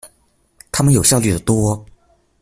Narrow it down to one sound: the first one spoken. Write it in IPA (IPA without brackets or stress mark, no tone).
t̪ʰ